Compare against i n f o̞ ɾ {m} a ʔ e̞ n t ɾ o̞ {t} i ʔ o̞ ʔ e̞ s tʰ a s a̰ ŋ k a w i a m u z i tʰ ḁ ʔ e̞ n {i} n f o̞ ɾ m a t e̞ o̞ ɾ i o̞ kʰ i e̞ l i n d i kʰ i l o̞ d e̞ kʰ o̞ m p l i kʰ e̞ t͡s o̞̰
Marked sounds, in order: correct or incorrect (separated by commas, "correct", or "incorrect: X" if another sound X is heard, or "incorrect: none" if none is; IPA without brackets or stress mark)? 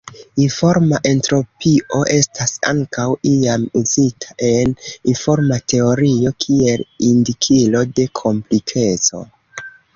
correct, incorrect: p, correct